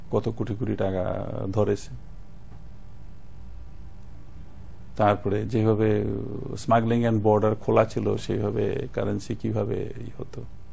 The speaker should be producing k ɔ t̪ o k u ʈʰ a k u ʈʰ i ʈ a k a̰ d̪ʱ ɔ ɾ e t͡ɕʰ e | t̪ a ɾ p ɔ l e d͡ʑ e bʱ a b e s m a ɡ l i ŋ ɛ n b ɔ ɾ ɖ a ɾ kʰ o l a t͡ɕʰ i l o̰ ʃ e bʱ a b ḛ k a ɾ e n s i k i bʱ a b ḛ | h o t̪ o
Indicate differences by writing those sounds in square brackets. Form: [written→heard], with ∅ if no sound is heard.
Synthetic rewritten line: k ɔ t̪ o k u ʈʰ [a→i] k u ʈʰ i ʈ a k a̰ d̪ʱ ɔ ɾ e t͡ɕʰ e | t̪ a ɾ p ɔ [l→ɾ] e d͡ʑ e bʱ a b e s m a ɡ l i ŋ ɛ n b ɔ ɾ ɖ a ɾ kʰ o l a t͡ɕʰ i l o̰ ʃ e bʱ a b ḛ k a ɾ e n s i k i bʱ a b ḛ | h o t̪ o